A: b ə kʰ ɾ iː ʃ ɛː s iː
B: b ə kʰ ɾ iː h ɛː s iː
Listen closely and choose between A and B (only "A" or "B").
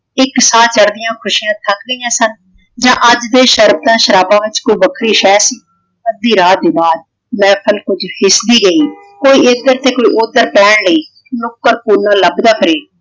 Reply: A